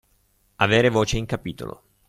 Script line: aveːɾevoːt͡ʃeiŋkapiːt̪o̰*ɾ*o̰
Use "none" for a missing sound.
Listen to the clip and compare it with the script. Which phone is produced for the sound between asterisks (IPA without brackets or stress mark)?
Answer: l